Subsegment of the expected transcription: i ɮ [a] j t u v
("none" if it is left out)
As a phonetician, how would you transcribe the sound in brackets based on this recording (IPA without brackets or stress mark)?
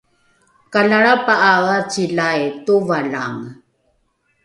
a